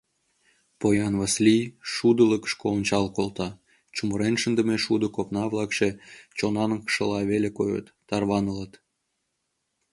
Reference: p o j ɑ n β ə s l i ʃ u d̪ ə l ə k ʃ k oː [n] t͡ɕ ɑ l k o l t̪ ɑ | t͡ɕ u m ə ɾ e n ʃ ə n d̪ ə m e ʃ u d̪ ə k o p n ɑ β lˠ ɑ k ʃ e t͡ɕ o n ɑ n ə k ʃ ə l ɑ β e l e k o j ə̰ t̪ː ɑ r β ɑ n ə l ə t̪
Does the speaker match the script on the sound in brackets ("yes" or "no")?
yes